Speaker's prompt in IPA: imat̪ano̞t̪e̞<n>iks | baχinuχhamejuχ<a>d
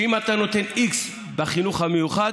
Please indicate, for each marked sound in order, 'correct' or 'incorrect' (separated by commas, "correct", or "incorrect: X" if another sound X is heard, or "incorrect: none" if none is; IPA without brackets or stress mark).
correct, correct